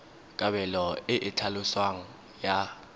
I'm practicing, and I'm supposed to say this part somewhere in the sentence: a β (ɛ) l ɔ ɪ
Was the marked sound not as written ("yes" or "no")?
no